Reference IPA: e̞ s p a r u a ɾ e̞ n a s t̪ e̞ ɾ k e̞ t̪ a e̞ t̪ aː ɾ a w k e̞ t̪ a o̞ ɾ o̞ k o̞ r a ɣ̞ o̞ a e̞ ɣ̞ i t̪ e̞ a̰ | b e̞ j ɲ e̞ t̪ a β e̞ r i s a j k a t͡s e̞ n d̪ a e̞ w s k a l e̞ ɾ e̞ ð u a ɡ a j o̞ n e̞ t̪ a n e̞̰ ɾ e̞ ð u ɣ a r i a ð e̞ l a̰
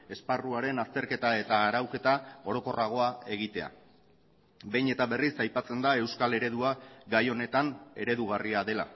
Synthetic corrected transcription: e̞ s p a r u a ɾ e̞ n a s t̪ e̞ ɾ k e̞ t̪ a e̞ t̪ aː ɾ a w k e̞ t̪ a o̞ ɾ o̞ k o̞ r a ɣ̞ o̞ a e̞ ɣ̞ i t̪ e̞ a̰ | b e̞ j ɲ e̞ t̪ a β e̞ r i s a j p a t͡s e̞ n d̪ a e̞ w s k a l e̞ ɾ e̞ ð u a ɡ a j o̞ n e̞ t̪ a n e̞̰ ɾ e̞ ð u ɣ a r i a ð e̞ l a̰